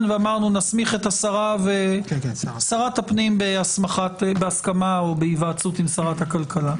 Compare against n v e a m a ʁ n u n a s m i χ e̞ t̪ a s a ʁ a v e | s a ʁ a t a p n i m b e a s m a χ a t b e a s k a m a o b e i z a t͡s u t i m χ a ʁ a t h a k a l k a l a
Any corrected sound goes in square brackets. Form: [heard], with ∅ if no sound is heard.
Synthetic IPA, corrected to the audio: n v e a m a ʁ n u n a s m i χ e̞ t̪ a s a ʁ a v e | s a ʁ a t a p n i m b e a s m a χ a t b e a s k a m a o b e i [v] a t͡s u t i m [s] a ʁ a t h a k a l k a l a